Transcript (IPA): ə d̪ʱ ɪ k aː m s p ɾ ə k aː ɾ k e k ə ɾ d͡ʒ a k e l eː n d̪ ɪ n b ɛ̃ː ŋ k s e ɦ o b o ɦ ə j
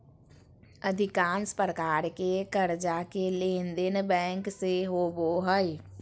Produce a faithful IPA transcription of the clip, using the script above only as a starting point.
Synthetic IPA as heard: ə d̪ʱ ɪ k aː n s p ɾ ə k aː ɾ k e k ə ɾ d͡ʒ a k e l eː n d̪ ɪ n b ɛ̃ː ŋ k s e ɦ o b o ɦ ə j

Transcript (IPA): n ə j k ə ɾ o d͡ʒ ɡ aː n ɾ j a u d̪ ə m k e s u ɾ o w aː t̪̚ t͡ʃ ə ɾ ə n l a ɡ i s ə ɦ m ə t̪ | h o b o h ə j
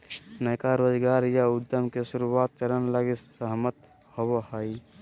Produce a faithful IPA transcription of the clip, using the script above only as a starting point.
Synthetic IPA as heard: n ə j k a ɾ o d͡ʒ ɡ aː ɾ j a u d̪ ə m k e s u ɾ u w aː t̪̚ t͡ʃ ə ɾ ə n l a ɡ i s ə ɦ m ə t̪ | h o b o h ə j

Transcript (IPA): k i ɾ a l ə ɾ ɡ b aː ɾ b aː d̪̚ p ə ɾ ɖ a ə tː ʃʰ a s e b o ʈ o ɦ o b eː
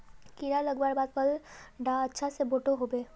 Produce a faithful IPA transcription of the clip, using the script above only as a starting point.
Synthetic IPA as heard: k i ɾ a l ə ɡ b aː ɾ b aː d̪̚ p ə l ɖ a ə tː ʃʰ a s e b o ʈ o ɦ o b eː

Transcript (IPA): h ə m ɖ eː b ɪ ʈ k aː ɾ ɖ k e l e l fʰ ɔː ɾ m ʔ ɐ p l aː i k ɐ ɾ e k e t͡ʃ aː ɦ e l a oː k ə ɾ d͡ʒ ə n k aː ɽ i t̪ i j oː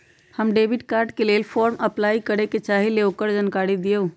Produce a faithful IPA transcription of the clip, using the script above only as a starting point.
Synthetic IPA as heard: h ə m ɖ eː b ɪ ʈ k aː ɾ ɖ k e l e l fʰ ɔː ɾ m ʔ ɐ p l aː i k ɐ ɾ e k e t͡ʃ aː ɦ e l e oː k ə ɾ d͡ʒ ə n k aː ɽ i d̪ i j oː

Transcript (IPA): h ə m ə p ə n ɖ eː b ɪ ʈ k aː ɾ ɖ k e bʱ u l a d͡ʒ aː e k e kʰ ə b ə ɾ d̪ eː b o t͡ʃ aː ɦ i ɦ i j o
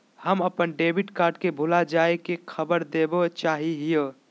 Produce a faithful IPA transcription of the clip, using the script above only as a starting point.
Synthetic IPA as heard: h ə m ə p ə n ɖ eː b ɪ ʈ k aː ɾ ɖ k e bʱ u l a d͡ʒ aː e k e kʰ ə b ə ɾ d̪ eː b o t͡ʃ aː ɦ i ɦ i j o

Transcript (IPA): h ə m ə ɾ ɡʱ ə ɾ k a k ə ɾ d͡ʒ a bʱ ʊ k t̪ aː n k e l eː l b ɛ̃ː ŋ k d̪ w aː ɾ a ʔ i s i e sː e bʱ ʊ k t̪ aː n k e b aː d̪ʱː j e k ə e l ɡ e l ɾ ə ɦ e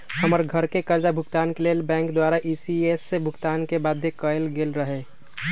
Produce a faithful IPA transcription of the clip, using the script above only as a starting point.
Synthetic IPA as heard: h ə m ə ɾ ɡʱ ə ɾ k e k ə ɾ d͡ʒ a bʱ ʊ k t̪ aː n k e l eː l b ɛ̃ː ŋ k d̪ w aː ɾ a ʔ i s i e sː e bʱ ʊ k t̪ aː n k e b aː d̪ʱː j e k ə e l ɡ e l ɾ ə ɦ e

